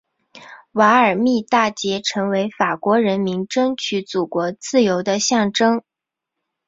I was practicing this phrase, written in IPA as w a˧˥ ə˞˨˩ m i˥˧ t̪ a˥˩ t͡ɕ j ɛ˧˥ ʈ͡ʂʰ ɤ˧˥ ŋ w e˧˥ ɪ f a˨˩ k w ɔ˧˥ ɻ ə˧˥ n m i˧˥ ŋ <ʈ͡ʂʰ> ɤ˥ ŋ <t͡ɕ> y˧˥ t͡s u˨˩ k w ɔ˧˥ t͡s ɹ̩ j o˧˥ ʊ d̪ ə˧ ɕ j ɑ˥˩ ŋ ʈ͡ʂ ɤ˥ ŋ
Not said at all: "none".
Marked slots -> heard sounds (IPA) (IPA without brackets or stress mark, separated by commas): ʈ͡ʂ, t͡ɕʰ